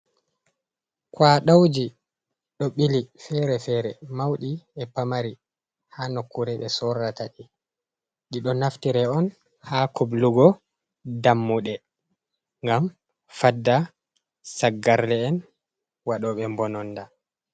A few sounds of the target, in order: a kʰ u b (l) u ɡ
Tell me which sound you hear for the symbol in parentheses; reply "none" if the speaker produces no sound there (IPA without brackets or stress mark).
l